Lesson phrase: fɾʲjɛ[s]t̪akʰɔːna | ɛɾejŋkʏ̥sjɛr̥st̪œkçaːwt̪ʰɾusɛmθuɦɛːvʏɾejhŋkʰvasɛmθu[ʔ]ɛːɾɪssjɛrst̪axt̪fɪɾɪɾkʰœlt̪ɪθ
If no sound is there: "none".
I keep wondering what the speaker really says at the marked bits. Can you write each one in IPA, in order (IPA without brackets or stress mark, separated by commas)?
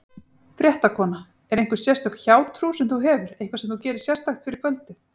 h, c